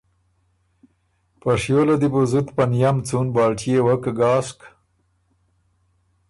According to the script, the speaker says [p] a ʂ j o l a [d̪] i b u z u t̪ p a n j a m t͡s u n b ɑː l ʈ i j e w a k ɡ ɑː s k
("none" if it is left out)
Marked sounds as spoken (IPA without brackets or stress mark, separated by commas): p, d̪